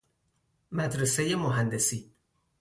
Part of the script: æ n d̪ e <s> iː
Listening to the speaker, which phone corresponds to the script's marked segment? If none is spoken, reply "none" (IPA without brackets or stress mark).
s